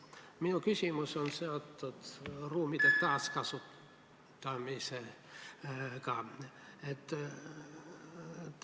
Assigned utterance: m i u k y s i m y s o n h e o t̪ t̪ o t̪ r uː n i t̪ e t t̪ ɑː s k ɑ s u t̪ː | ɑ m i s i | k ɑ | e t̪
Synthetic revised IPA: m i u k y s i m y s o n s e o t̪ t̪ o t̪ r uː m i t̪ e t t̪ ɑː s k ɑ s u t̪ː | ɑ m i s e | k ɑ | e t̪

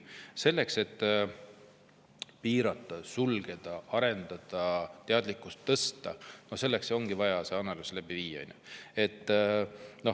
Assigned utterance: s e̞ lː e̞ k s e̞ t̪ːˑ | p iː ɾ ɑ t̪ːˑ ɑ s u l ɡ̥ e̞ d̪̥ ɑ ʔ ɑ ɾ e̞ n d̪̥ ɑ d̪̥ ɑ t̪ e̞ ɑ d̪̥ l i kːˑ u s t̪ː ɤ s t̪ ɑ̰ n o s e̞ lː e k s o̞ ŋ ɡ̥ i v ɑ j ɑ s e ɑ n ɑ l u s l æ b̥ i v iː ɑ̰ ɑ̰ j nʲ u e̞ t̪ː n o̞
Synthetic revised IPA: s e̞ lː e̞ k s e̞ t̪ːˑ | p iː ɾ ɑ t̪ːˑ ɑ s u l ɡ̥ e̞ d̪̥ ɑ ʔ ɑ ɾ e̞ n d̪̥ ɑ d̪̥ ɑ t̪ e̞ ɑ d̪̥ l i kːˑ u s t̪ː ɤ s t̪ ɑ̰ n o s e̞ lː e k s o̞ ŋ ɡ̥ i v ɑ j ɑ s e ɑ n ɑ l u s l æ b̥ i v iː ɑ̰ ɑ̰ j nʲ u e̞ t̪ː n o̞

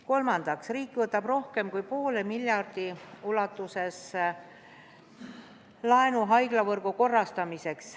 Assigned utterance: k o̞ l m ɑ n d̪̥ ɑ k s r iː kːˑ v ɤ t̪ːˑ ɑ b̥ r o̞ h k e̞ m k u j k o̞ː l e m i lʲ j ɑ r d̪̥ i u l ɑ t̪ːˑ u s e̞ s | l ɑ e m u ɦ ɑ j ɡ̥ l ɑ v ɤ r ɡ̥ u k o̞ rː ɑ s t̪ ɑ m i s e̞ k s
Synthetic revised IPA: k o̞ l m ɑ n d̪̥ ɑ k s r iː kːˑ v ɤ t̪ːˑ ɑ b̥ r o̞ h k e̞ m k u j p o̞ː l e m i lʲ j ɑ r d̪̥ i u l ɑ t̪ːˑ u s e̞ s | l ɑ e n u ɦ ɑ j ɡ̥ l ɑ v ɤ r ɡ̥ u k o̞ rː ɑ s t̪ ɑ m i s e̞ k s

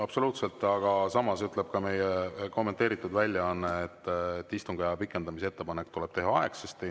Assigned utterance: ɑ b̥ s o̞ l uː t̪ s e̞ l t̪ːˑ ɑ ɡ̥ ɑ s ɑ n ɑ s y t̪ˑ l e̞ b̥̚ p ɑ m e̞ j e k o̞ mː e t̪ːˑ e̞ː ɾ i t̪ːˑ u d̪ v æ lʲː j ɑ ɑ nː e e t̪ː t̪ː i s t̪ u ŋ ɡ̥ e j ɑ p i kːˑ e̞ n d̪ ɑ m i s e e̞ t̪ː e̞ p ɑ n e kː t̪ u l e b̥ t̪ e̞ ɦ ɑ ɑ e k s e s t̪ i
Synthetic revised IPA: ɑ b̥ s o̞ l uː t̪ s e̞ l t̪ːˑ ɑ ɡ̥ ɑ s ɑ m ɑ s y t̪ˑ l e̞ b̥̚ k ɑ m e̞ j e k o̞ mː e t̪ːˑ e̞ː ɾ i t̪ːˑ u d̪ v æ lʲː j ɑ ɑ nː e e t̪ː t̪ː i s t̪ u ŋ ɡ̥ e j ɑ p i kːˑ e̞ n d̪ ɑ m i s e e̞ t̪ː e̞ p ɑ n e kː t̪ u l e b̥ t̪ e̞ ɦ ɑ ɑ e k s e s t̪ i

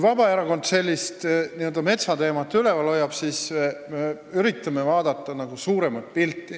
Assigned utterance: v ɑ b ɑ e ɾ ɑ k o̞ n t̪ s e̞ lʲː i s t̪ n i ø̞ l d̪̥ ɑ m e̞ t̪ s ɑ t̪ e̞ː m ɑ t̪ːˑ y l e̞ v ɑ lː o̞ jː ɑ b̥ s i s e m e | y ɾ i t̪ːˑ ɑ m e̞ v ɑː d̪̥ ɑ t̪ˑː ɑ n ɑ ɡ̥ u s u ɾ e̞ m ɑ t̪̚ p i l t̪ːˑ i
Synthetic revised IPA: v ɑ b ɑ e ɾ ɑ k o̞ n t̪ s e̞ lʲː i s t̪ n i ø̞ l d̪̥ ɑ m e̞ t̪ s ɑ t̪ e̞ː m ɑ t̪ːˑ y l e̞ v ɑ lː o̞ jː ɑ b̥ s i s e m e | y ɾ i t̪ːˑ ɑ m e̞ v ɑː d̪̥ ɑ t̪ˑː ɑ n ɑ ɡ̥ u s uː ɾ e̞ m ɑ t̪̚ p i l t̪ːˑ i

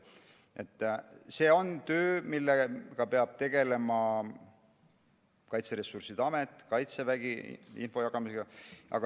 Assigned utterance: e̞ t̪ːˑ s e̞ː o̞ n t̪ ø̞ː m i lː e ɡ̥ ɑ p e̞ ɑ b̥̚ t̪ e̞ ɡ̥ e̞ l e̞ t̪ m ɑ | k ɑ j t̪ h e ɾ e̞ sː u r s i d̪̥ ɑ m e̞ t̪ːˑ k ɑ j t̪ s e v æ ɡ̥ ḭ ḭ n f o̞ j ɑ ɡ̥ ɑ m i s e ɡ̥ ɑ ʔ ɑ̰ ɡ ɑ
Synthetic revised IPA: e̞ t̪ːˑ s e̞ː o̞ n t̪ ø̞ː m i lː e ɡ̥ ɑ p e̞ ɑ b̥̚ t̪ e̞ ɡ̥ e̞ l e̞ m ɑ | k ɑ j t̪ s e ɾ e̞ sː u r s i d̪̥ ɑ m e̞ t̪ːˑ k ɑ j t̪ s e v æ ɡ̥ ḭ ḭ n f o̞ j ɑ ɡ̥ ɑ m i s e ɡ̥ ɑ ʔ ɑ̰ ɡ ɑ

